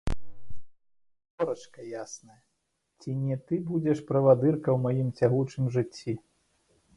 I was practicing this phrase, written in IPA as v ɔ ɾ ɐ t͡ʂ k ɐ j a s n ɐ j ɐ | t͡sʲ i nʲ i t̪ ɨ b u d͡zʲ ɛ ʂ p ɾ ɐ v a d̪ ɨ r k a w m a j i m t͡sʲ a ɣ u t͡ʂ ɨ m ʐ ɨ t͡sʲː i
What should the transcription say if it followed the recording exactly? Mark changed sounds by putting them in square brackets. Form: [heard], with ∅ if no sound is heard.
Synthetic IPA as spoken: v ɔ ɾ ɐ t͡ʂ k ɐ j a s n ɐ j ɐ | t͡sʲ i nʲ [ɛ] t̪ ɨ b u d͡zʲ ɛ ʂ p ɾ ɐ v a d̪ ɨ r k [ɐ] w m a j i m t͡sʲ a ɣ u t͡ʂ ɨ m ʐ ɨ t͡sʲː i